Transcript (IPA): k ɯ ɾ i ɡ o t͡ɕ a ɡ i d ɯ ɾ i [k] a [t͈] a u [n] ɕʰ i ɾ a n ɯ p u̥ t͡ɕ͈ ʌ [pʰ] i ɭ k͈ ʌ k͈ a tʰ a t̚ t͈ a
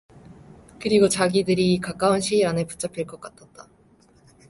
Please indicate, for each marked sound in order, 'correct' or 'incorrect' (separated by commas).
correct, incorrect, correct, correct